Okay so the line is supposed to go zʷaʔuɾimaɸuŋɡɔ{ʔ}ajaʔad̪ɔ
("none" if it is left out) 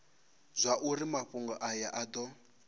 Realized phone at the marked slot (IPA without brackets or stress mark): ʔ